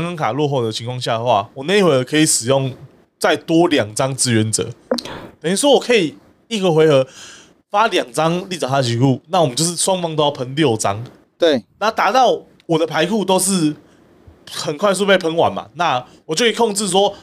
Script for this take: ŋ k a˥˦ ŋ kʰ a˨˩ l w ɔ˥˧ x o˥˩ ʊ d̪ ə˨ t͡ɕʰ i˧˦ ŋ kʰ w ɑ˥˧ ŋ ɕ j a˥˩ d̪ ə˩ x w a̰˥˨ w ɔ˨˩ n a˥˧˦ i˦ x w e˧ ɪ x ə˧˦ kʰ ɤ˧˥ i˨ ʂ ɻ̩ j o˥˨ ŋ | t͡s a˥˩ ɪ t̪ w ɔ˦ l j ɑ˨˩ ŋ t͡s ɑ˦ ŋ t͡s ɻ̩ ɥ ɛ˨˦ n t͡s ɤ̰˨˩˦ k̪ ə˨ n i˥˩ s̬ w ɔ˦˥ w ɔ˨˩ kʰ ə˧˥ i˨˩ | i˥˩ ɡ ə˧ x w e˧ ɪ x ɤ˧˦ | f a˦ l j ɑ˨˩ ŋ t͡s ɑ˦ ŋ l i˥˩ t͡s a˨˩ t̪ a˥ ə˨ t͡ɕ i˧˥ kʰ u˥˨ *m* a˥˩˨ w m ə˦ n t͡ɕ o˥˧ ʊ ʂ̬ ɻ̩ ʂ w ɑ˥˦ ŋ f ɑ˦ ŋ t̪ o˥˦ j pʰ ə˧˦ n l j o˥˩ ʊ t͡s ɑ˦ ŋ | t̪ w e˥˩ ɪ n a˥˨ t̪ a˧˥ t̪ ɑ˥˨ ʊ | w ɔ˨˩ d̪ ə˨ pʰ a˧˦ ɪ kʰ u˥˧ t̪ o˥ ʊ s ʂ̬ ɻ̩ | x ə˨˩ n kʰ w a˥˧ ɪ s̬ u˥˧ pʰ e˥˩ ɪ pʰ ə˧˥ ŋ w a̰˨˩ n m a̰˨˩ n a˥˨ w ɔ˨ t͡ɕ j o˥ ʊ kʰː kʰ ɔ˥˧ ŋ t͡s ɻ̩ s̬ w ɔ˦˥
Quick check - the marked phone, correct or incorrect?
incorrect